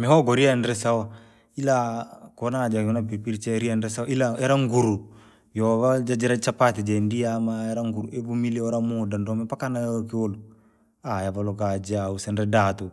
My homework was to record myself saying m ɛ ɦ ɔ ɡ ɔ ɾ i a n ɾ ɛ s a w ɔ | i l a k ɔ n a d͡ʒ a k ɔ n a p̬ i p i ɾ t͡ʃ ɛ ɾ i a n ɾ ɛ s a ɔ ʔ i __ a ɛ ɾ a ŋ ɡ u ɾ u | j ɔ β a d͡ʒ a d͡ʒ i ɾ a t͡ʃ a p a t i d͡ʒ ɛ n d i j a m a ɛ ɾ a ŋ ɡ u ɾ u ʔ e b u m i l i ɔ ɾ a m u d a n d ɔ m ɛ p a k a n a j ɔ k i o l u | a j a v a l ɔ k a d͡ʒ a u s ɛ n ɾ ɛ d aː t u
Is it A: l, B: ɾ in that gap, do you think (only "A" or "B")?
A